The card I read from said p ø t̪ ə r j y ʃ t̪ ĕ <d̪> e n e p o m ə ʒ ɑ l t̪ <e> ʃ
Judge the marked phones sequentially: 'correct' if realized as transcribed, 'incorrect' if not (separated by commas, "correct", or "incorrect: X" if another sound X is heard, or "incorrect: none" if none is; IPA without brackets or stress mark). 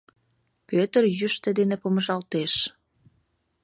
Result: correct, correct